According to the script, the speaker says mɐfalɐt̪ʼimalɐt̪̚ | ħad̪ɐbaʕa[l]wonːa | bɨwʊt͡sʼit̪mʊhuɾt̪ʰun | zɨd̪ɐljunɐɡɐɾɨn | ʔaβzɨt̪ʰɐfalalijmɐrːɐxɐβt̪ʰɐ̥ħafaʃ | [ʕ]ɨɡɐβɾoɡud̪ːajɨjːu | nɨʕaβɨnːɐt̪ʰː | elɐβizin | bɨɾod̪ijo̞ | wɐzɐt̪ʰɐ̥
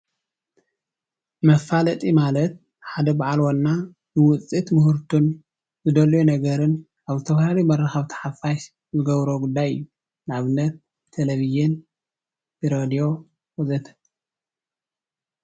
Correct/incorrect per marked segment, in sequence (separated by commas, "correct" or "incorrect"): correct, incorrect